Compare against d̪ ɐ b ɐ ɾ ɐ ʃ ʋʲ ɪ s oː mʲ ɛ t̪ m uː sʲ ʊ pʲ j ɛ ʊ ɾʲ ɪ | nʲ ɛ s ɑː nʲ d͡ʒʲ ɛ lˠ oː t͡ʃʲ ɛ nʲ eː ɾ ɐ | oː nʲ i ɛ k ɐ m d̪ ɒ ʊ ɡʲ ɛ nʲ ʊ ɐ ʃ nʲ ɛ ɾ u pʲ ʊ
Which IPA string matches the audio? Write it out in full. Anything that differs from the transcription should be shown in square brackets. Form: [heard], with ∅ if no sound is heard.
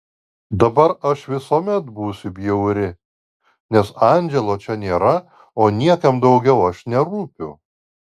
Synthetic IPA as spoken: d̪ ɐ b ɐ ɾ ɐ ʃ ʋʲ ɪ s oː mʲ ɛ t̪ [b] uː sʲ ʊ [bʲ] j ɛ ʊ ɾʲ ɪ | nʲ ɛ s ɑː nʲ d͡ʒʲ ɛ lˠ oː t͡ʃʲ ɛ nʲ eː ɾ ɐ | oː nʲ i ɛ k ɐ m d̪ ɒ ʊ ɡʲ ɛ [∅] ʊ ɐ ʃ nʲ ɛ ɾ [uː] pʲ ʊ